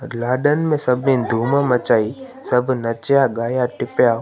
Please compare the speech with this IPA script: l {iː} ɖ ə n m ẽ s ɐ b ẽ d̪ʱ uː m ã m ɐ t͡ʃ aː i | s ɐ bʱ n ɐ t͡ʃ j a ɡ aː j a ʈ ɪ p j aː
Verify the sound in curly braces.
incorrect: aː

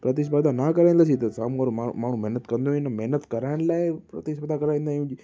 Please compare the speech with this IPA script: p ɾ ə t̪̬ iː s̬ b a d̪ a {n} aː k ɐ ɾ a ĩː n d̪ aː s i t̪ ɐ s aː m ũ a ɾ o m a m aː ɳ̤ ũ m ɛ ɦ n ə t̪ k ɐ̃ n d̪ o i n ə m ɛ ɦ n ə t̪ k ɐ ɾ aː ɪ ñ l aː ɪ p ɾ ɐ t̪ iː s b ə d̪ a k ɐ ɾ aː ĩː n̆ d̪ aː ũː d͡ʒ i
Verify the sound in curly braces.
correct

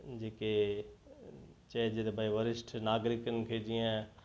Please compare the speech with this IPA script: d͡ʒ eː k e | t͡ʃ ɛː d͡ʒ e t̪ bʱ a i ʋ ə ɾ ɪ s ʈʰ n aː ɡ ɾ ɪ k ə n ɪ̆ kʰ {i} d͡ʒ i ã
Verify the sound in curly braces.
incorrect: e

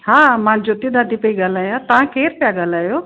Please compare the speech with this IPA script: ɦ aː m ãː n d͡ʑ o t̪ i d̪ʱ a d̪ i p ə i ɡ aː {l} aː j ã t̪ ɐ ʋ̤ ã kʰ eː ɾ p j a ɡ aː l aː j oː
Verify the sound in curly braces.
correct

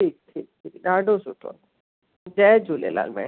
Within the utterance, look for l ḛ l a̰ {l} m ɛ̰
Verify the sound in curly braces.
correct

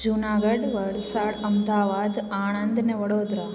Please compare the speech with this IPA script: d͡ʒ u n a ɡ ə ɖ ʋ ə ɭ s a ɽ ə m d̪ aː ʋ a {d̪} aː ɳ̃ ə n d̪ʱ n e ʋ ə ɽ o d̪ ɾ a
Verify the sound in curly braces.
correct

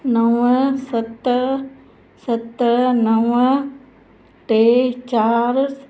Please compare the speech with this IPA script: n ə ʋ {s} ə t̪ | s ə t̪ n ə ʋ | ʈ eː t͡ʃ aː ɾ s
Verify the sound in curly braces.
correct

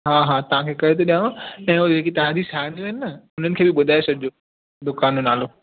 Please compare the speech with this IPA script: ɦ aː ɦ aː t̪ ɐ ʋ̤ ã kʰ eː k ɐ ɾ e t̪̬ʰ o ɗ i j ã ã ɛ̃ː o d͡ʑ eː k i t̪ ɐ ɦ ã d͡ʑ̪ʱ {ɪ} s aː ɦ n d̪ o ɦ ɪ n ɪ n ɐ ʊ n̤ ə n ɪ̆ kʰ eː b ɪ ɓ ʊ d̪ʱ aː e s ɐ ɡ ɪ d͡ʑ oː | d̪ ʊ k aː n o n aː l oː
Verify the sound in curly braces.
incorrect: i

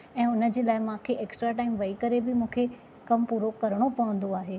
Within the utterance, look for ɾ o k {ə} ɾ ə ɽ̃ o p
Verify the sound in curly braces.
incorrect: ɐ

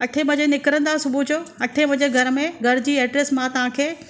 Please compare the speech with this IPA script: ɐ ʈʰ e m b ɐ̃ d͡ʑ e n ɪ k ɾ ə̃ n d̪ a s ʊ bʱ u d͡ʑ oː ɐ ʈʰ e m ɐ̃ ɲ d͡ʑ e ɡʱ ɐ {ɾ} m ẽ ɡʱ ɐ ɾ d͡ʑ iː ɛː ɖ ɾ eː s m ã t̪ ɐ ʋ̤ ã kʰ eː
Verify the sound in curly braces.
correct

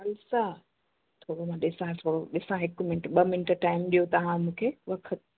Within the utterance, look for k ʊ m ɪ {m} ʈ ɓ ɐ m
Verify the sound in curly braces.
incorrect: n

